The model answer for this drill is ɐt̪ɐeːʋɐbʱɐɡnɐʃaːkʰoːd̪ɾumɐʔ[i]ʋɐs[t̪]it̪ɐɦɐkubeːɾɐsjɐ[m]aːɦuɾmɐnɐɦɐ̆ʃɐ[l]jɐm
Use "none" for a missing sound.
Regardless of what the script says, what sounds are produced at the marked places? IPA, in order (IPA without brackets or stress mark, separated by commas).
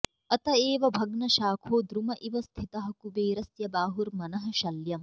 i, t̪ʰ, b, l